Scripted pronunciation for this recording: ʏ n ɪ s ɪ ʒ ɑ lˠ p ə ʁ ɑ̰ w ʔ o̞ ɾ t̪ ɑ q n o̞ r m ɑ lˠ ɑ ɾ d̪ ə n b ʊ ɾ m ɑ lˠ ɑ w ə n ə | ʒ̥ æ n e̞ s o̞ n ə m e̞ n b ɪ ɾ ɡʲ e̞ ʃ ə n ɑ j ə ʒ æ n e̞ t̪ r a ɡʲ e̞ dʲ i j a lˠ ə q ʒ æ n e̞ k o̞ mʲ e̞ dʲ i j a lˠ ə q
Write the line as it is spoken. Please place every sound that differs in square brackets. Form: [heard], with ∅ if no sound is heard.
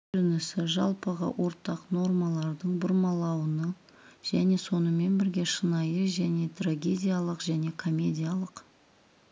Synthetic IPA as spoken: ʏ n ɪ s ɪ ʒ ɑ lˠ p ə ʁ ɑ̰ w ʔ o̞ ɾ t̪ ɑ q n o̞ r m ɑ lˠ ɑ ɾ d̪ ə [ɴ] b ʊ ɾ m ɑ lˠ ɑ w ə n ə | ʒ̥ æ n e̞ s o̞ n ə m e̞ n b ɪ ɾ ɡʲ e̞ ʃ ə n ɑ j ə ʒ æ n e̞ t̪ r a ɡʲ e̞ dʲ i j a lˠ ə q ʒ æ n e̞ [kʰ] o̞ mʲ e̞ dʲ i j a lˠ ə q